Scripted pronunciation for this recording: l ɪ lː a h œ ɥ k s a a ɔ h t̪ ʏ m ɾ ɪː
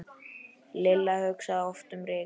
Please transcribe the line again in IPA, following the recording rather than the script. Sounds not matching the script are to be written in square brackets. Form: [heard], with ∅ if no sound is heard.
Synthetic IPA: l ɪ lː a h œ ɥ k s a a ɔ [f] t̪ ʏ m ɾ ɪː